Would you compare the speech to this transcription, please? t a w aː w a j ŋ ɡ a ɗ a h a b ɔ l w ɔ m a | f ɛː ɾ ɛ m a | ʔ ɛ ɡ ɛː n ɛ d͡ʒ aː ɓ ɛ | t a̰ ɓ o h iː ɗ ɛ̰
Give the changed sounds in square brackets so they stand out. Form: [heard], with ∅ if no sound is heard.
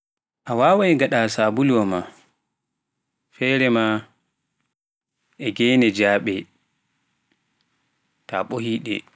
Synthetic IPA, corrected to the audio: [ʔ] a w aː w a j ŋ ɡ a ɗ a [s] a b [u] l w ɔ m a | f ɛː ɾ ɛ m a | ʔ ɛ ɡ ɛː n ɛ d͡ʒ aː ɓ ɛ | t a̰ ɓ o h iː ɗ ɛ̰